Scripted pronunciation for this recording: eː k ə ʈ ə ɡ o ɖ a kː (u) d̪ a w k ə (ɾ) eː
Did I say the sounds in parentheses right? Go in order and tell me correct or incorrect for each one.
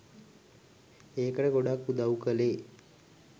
correct, incorrect: l

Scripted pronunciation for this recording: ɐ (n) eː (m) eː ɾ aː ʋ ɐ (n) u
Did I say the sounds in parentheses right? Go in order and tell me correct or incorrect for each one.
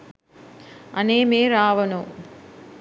correct, correct, correct

